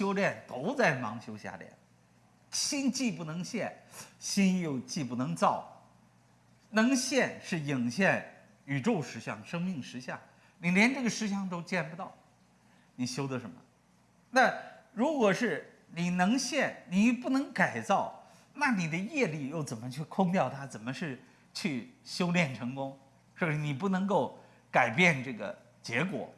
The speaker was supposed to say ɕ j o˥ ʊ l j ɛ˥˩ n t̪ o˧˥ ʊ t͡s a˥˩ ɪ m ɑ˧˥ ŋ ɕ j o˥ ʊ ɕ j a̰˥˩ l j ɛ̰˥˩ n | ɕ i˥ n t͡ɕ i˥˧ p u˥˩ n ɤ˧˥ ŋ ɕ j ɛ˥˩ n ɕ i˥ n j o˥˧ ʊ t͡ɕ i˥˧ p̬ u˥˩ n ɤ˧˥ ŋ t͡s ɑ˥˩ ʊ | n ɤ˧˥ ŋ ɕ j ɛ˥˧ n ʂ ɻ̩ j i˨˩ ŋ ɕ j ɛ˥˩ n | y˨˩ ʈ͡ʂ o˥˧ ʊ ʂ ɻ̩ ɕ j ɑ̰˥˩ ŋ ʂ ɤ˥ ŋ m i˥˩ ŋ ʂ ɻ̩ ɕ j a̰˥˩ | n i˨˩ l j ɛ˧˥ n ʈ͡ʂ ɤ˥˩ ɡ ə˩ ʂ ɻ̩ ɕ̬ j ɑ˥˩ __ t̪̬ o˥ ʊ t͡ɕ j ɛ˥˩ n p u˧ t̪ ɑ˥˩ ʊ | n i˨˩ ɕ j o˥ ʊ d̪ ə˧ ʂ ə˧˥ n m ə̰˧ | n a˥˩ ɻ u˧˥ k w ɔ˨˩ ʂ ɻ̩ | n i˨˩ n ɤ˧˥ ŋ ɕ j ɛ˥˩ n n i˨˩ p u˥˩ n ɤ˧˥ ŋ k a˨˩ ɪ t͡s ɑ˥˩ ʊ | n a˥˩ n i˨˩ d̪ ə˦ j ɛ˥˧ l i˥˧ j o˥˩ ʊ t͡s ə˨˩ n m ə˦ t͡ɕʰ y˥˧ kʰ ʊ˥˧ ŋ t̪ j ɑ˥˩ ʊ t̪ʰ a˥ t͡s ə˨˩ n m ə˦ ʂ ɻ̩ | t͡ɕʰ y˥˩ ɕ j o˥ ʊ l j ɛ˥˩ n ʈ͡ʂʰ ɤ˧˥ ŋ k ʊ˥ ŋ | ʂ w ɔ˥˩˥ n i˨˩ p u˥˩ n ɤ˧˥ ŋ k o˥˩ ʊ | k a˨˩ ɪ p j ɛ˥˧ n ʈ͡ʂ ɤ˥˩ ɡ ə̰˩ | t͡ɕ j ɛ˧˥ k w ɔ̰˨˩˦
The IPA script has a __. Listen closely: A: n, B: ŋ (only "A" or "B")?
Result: B